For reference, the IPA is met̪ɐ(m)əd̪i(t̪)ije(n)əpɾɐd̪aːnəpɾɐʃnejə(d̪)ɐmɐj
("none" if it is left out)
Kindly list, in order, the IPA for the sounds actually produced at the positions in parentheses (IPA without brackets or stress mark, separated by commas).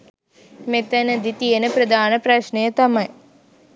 n, t̪, n, t̪